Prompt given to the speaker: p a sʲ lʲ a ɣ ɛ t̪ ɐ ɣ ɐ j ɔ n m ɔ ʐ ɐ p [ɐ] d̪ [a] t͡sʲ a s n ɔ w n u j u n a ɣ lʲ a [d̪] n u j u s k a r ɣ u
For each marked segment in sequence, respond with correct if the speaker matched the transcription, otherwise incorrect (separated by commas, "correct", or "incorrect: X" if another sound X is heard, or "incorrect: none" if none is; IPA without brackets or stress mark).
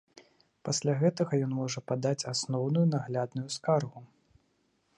incorrect: a, correct, correct